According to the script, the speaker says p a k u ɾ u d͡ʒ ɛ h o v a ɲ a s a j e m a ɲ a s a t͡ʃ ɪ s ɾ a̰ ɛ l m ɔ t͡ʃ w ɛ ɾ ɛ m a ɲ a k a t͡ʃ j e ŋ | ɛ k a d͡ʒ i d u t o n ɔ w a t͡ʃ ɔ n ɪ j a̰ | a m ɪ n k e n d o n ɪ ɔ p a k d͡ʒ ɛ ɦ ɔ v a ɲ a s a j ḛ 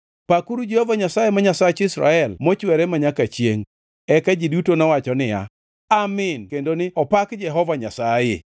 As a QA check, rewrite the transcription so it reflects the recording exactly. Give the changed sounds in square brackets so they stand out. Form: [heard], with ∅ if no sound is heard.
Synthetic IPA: p a k u ɾ u d͡ʒ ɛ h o v a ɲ a s a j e m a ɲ a s a t͡ʃ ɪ s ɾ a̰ ɛ l m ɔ t͡ʃ w ɛ ɾ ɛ m a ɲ a k a t͡ʃ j e ŋ | ɛ k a d͡ʒ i d u t o n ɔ w a t͡ʃ ɔ n ɪ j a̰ | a m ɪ n k e n d o n ɪ ɔ p a k d͡ʒ ɛ ɦ ɔ v a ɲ a s a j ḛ